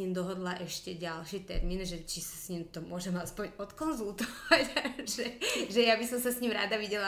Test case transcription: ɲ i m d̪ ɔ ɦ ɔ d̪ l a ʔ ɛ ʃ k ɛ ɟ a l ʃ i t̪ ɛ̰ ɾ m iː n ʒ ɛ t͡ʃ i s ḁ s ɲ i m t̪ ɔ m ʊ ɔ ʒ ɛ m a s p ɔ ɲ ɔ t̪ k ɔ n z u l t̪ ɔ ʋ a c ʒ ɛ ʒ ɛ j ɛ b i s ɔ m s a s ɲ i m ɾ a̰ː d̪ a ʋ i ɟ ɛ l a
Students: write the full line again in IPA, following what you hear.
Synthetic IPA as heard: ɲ i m d̪ ɔ ɦ ɔ d̪ l a ʔ ɛ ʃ c ɛ ɟ a l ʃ i t̪ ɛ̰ ɾ m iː n ʒ ɛ t͡ʃ i s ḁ s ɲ i m t̪ ɔ m ʊ ɔ ʒ ɛ m a s p ɔ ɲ ɔ t̪ k ɔ n z u l t̪ ɔ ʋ a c ʒ ɛ ʒ ɛ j a b i s ɔ m s a s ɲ i m ɾ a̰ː d̪ a ʋ i ɟ ɛ l a